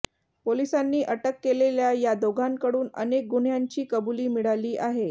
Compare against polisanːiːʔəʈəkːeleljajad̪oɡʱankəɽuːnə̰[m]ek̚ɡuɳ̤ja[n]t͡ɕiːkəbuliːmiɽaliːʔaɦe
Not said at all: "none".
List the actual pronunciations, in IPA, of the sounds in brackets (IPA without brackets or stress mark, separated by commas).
n, ɲ